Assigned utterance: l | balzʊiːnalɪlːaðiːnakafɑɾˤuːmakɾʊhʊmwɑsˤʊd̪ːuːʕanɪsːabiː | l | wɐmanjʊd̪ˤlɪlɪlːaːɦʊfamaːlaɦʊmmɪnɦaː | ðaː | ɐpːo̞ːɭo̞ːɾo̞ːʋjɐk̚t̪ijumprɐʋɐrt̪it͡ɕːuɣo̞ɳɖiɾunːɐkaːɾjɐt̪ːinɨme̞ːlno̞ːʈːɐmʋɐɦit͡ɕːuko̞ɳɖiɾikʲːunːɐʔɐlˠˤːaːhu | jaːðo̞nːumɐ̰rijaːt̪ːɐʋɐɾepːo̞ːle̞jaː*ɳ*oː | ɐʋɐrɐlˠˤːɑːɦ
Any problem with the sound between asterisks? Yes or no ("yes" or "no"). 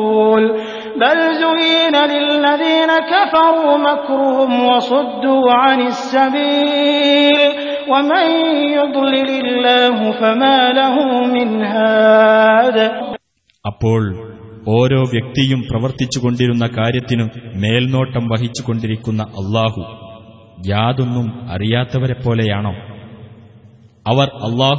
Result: no